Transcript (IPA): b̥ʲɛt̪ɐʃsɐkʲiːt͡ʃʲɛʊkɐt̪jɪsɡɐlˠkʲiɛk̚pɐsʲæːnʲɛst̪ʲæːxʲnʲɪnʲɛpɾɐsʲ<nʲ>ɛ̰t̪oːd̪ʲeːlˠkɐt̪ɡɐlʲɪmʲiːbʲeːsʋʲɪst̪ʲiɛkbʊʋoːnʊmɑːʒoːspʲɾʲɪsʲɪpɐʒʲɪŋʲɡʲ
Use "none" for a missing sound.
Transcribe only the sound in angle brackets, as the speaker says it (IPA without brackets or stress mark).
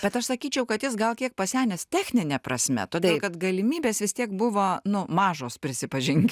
mʲ